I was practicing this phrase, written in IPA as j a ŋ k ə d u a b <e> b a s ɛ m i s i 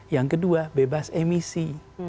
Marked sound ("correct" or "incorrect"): correct